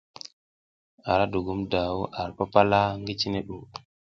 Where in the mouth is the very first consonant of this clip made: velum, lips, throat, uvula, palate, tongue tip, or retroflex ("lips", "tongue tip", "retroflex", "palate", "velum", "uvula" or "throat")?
tongue tip